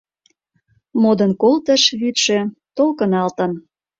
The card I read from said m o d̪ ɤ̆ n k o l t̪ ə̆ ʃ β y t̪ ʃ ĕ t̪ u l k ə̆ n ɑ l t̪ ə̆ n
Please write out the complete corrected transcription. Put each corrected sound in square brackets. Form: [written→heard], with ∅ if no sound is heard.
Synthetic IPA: m o d̪ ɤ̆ n k o l t̪ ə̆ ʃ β y t̪ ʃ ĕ t̪ [u→o] l k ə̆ n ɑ l t̪ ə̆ n